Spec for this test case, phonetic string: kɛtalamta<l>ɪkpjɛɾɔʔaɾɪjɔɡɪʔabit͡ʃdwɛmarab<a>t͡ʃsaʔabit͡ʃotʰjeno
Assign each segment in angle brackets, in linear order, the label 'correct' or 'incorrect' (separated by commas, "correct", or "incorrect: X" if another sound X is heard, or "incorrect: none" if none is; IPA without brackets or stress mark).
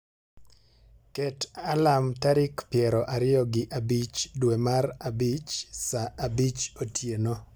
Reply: incorrect: ɾ, incorrect: i